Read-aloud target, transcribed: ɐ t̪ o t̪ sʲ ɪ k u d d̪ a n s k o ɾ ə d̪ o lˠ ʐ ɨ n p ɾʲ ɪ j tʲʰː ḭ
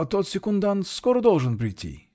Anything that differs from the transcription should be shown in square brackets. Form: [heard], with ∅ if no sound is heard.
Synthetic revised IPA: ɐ t̪ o t̪ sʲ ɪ k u [n] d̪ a n s k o ɾ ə d̪ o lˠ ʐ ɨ n p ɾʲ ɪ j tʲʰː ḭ